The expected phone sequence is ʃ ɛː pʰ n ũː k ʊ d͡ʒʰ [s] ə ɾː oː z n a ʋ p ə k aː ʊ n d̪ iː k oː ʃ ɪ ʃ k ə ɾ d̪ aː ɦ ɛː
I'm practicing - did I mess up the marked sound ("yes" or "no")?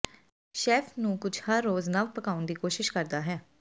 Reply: yes